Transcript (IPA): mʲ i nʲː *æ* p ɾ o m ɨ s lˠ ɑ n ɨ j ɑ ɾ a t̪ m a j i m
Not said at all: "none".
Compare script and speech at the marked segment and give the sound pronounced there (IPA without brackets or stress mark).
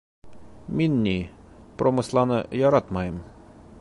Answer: i